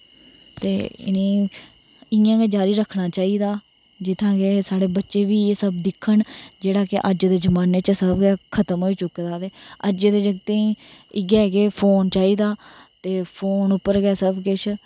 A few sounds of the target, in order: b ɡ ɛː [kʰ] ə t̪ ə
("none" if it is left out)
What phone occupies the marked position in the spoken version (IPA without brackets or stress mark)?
kʰ